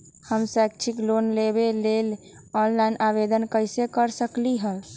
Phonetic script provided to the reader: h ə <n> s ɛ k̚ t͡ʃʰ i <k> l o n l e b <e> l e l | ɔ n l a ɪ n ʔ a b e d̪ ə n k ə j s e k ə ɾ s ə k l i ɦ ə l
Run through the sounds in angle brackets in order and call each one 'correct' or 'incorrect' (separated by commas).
incorrect, correct, correct